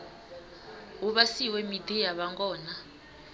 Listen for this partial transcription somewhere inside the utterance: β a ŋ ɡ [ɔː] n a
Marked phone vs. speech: correct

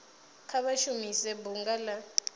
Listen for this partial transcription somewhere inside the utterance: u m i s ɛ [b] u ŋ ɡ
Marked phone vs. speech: correct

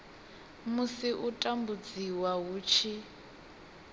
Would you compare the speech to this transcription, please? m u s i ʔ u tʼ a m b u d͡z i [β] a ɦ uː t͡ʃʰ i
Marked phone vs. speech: incorrect: w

